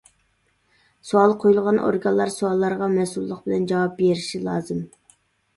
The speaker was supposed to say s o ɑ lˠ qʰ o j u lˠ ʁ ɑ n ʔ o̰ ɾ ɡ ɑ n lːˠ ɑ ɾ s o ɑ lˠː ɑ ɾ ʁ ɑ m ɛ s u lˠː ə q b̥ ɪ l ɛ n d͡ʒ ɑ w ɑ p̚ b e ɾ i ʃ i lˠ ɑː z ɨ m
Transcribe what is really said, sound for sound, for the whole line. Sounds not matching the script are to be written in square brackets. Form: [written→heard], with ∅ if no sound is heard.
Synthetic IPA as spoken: s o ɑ lˠ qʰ o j u lˠ ʁ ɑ n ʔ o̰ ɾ ɡ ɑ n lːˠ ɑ ɾ s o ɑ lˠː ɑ ɾ ʁ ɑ m ɛ s u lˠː ə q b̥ ɪ l ɛ n d͡ʒ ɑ w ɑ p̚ b e ɾ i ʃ i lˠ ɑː z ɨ m

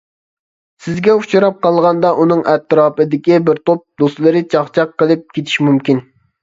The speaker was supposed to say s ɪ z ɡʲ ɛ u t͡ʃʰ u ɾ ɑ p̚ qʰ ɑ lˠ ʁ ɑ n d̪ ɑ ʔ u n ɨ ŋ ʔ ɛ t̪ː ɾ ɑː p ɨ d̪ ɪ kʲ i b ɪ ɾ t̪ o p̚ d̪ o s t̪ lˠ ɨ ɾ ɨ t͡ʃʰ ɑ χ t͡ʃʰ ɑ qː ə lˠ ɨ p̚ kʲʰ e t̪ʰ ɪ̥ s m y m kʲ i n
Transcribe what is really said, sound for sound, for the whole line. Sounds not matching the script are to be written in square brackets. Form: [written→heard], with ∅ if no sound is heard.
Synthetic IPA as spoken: s ɪ z ɡʲ ɛ u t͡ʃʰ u ɾ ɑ p̚ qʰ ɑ lˠ ʁ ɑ n d̪ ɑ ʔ u n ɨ ŋ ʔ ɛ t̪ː ɾ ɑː p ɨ d̪ ɪ kʲ i b ɪ ɾ t̪ o p̚ d̪ o s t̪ lˠ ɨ ɾ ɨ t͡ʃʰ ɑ χ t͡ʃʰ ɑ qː ə lˠ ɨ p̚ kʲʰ e t̪ʰ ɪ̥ [s→ʃ] m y m kʲ i n

